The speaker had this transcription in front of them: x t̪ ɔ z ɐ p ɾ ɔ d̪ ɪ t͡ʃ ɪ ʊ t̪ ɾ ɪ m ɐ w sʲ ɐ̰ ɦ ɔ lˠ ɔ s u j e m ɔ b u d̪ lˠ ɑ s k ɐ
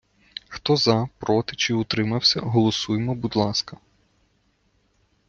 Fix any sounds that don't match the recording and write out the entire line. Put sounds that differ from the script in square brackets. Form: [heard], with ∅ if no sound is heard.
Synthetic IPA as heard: x t̪ ɔ z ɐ p ɾ ɔ [t̪] ɪ t͡ʃ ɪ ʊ t̪ ɾ ɪ m ɐ w sʲ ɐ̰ ɦ ɔ lˠ ɔ s u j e m ɔ b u d̪ lˠ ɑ s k ɐ